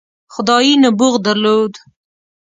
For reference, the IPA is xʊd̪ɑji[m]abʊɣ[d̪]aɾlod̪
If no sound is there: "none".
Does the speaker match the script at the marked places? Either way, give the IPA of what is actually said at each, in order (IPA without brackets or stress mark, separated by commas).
n, d̪